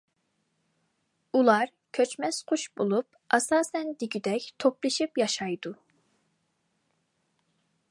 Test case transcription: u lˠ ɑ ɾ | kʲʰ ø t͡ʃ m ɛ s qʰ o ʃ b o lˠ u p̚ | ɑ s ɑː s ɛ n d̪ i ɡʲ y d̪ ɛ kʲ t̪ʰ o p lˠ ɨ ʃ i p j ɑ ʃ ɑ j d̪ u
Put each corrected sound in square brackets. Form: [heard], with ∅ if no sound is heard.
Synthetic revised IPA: u lˠ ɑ ɾ | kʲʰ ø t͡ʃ m ɛ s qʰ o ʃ b o lˠ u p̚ | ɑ s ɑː s ɛ n d̪ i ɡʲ y d̪ ɛ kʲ t̪ʰ o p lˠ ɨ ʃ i p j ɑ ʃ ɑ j d̪ u